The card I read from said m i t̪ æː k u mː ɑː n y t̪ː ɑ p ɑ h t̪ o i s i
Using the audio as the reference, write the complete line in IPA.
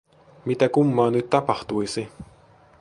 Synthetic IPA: m i t̪ æ k u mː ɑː n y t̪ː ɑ p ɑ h t̪ u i s i